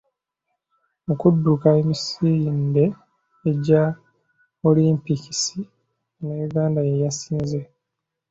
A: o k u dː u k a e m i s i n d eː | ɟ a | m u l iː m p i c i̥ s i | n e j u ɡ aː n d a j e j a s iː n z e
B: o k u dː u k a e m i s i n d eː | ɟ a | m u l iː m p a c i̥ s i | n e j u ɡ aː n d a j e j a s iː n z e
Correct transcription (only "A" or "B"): A